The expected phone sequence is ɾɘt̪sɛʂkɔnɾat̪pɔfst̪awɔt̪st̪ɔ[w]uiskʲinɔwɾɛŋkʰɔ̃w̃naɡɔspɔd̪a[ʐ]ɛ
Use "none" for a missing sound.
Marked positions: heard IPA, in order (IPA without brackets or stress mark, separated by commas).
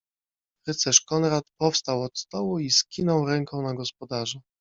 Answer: w, ʐ